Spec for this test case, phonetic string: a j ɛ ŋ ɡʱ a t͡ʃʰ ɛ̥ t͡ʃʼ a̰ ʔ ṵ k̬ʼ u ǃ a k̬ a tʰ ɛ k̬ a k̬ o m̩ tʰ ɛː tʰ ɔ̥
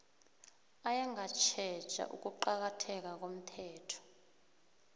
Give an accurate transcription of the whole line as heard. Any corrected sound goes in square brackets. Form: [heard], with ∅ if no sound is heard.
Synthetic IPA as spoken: a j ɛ ŋ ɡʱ a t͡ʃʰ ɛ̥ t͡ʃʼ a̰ ʔ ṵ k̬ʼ u ǃ a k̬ a tʰ ɛ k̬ a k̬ o m̩ tʰ ɛː tʰ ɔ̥

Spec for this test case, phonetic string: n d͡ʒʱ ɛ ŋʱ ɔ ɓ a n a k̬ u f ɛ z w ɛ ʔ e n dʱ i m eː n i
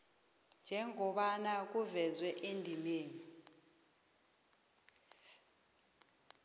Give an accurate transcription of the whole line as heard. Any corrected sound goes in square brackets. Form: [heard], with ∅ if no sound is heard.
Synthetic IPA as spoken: n d͡ʒʱ ɛ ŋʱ ɔ ɓ a n a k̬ u [v] ɛ z w ɛ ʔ e n dʱ i m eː n i

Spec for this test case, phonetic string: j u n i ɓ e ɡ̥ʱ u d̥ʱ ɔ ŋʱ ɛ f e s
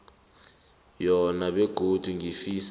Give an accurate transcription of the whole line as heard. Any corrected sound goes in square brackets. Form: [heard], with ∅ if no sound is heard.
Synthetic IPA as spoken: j [ɔ] n [a] ɓ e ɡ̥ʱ [o] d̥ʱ [u] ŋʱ [i] f [i] s

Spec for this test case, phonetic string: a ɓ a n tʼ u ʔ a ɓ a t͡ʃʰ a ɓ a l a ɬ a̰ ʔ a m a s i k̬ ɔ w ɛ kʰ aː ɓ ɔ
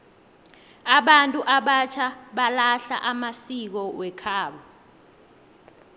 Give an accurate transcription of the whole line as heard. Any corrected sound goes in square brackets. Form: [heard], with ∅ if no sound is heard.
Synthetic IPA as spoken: a ɓ a n tʼ u ʔ a ɓ a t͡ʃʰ a ɓ a l a ɬ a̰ ʔ a m a s i k̬ ɔ w ɛ kʰ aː ɓ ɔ

